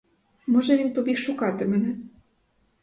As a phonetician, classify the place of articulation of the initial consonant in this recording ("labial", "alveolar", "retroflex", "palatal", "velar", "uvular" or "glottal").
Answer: labial